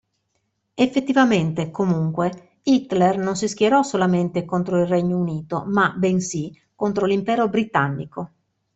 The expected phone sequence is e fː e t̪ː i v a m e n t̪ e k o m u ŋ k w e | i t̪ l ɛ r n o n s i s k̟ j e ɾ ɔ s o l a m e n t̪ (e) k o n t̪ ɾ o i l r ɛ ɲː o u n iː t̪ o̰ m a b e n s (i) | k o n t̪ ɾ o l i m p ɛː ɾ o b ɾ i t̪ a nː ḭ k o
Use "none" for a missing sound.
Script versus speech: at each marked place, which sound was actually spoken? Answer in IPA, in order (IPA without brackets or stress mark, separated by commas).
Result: e, i